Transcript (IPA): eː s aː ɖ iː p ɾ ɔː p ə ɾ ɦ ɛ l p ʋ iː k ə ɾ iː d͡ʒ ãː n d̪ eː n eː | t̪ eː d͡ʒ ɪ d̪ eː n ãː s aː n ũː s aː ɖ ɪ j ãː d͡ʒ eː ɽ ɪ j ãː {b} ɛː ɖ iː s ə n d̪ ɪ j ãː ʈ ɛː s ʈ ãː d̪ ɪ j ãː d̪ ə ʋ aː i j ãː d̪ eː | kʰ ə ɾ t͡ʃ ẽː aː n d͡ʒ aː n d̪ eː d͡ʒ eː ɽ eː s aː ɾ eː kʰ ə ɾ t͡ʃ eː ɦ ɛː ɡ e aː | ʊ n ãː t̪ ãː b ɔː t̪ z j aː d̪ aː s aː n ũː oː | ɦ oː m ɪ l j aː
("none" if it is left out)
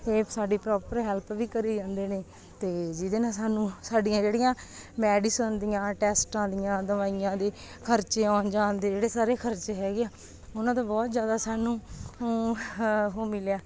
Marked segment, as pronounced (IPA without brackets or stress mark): m